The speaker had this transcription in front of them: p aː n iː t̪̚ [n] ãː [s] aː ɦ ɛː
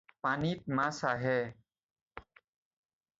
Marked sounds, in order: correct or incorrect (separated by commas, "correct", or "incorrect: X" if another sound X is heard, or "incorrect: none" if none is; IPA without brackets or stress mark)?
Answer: incorrect: m, correct